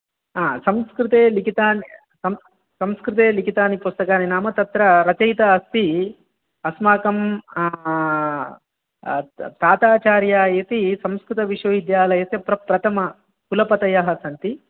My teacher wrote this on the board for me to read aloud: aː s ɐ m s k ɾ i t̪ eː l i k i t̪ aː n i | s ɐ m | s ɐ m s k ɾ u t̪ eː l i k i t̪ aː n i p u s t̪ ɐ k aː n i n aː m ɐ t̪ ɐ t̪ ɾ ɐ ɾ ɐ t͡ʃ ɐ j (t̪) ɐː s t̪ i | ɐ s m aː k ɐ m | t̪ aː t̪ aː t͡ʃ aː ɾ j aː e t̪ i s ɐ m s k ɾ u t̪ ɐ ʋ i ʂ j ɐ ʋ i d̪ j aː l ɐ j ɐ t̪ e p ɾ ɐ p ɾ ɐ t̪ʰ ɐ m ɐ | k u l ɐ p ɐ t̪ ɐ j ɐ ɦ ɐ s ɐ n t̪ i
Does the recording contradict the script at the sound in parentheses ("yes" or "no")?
no